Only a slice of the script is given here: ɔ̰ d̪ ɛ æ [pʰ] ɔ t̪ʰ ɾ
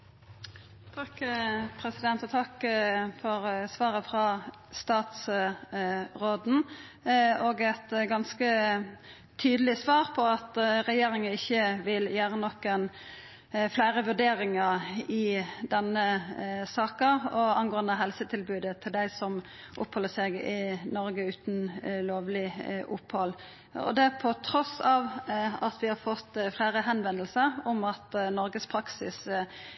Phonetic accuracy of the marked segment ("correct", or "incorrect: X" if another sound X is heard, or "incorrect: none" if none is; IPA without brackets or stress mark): correct